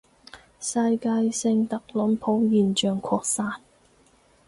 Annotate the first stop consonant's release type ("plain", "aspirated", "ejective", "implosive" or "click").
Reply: plain